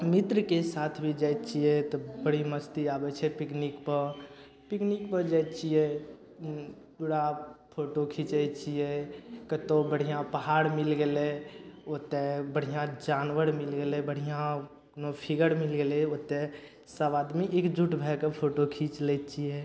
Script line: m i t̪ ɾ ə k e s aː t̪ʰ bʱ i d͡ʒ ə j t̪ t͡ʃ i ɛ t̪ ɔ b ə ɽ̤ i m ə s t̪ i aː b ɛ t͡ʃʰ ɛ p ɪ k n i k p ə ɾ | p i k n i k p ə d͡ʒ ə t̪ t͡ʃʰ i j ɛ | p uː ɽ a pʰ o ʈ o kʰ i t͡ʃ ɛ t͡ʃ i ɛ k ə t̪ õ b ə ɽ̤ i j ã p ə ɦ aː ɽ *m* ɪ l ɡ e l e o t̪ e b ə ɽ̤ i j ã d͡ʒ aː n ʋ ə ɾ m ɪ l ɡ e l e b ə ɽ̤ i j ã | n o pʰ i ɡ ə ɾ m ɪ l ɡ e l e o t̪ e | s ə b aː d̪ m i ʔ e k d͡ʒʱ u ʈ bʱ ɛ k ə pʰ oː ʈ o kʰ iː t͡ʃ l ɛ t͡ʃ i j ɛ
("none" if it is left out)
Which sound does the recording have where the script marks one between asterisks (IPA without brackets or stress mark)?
m